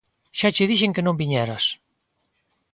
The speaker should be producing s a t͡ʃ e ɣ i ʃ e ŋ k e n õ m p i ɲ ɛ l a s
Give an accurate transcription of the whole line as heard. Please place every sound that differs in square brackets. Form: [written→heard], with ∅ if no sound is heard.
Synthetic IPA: [s→ʃ] a t͡ʃ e [ɣ→ð] i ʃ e ŋ k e n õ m [p→b] i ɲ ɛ [l→ɾ] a s